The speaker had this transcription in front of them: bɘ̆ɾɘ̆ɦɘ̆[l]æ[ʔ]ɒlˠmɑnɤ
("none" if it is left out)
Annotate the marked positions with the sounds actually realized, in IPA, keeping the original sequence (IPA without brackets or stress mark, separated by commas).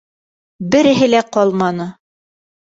l, q